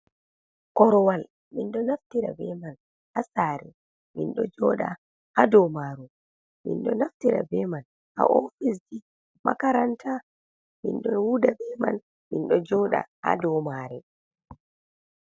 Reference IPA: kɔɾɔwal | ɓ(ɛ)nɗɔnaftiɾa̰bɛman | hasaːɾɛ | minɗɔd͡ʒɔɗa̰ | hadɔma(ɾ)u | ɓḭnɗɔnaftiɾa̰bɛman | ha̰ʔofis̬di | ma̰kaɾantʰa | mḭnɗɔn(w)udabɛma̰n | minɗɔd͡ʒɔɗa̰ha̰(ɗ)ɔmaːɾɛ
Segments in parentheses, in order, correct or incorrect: incorrect: i, correct, correct, incorrect: d

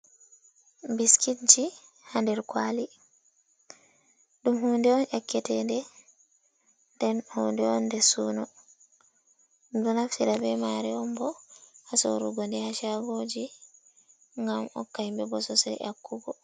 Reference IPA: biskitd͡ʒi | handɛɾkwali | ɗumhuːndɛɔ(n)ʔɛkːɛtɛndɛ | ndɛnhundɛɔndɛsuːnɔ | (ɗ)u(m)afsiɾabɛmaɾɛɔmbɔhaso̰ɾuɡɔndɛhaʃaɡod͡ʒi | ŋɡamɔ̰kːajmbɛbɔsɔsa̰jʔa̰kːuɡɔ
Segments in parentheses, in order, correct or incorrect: correct, incorrect: d, incorrect: n

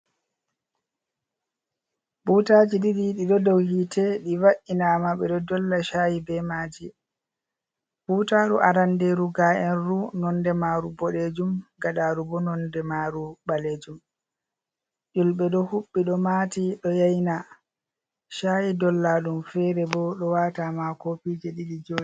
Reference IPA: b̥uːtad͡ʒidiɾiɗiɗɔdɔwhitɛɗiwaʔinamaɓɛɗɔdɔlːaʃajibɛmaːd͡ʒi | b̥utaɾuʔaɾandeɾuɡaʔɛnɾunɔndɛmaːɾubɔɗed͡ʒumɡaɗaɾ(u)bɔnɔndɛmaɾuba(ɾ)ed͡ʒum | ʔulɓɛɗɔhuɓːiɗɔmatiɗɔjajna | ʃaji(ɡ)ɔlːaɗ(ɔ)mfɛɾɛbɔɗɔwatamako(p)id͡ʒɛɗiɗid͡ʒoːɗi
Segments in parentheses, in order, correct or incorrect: correct, incorrect: l, incorrect: d, incorrect: u, correct

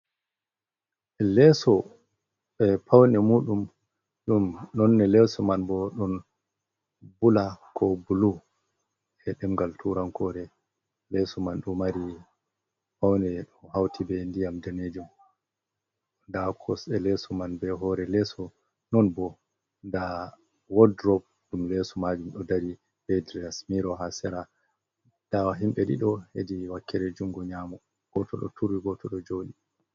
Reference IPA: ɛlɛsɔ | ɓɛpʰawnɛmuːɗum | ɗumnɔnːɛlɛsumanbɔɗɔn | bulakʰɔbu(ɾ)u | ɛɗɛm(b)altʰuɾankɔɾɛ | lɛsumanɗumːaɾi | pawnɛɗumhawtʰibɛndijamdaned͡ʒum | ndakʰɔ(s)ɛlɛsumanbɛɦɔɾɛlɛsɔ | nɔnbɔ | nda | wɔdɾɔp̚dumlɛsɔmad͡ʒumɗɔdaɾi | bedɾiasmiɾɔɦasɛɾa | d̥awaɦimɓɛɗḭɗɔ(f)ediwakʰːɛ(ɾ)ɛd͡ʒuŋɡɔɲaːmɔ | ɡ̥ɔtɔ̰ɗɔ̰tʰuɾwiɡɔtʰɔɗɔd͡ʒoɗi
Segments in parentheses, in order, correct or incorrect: incorrect: l, incorrect: ɡ, correct, incorrect: h, correct

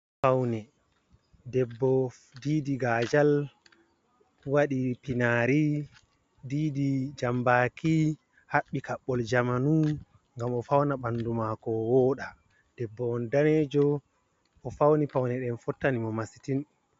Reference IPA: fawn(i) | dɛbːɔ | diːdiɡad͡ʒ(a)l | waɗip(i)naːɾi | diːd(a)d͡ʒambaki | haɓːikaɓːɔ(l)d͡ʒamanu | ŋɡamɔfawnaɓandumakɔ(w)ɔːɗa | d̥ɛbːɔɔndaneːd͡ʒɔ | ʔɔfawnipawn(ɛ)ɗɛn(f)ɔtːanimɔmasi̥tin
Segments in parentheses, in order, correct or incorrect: incorrect: ɛ, correct, correct, incorrect: i, correct, correct, correct, correct

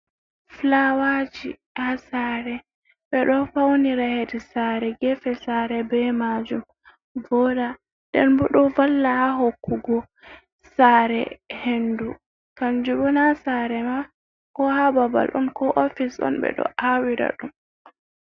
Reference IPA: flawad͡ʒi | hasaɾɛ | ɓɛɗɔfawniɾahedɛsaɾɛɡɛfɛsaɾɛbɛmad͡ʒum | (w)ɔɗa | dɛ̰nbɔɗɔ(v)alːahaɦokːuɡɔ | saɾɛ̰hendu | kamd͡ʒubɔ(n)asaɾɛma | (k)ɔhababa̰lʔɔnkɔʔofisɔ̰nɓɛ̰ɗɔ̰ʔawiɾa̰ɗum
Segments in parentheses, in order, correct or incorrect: incorrect: v, correct, correct, correct

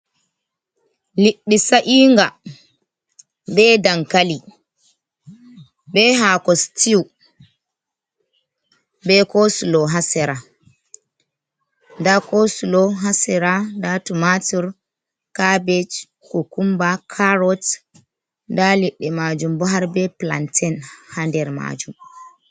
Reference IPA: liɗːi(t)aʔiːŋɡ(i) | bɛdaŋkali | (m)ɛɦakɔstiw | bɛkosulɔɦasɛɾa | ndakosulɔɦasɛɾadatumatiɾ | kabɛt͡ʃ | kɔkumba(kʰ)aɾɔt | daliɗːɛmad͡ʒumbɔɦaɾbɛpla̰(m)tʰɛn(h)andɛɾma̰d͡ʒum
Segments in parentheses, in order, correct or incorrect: incorrect: s, incorrect: a, incorrect: b, correct, incorrect: n, correct

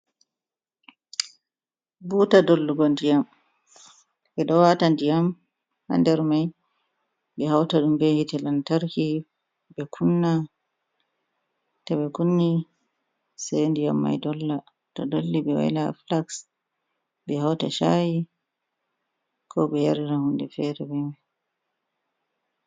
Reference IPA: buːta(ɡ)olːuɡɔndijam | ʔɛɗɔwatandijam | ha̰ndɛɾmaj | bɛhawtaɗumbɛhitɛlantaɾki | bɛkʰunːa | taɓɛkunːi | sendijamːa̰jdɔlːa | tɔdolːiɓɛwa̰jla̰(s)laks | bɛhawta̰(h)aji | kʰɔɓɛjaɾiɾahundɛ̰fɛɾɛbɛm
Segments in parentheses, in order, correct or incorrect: incorrect: d, incorrect: f, incorrect: ʃ

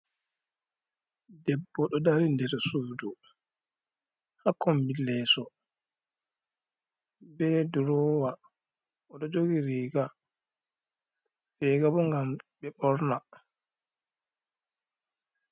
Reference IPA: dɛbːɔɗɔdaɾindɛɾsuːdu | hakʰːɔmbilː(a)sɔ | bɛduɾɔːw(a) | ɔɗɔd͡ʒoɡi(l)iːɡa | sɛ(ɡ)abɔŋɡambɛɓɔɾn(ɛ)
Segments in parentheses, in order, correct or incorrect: incorrect: ɛ, correct, incorrect: ɾ, correct, incorrect: a

